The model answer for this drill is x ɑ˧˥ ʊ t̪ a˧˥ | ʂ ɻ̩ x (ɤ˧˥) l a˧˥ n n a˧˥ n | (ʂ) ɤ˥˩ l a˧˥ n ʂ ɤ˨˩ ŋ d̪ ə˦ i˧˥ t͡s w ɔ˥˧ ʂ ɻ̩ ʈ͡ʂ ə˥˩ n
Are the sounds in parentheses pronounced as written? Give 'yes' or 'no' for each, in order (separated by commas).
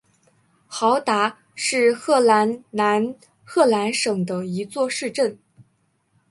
no, no